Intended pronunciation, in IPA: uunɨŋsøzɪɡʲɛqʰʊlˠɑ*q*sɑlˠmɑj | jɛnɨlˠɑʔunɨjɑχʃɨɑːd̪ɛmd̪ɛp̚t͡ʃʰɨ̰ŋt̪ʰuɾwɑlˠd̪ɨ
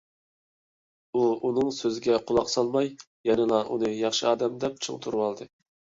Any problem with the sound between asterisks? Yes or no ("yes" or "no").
no